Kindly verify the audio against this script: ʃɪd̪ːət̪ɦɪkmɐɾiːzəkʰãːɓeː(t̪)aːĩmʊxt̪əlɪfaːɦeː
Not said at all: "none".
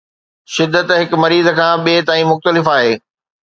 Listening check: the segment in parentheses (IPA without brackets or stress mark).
t̪